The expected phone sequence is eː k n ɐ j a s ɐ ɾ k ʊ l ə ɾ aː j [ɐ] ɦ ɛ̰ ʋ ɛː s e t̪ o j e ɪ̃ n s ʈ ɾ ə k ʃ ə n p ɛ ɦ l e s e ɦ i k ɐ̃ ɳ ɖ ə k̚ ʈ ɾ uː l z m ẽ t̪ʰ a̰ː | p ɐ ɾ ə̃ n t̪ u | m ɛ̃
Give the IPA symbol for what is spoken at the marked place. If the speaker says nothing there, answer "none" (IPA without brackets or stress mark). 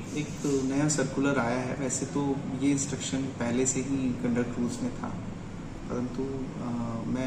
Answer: a